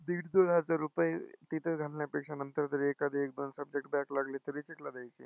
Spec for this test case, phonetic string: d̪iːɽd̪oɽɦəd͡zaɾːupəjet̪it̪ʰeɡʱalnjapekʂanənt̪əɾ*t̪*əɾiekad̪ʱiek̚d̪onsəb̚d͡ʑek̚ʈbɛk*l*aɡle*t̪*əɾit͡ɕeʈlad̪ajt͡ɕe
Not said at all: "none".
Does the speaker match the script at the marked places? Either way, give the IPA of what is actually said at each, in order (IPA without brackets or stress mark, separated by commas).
t̪, l, t̪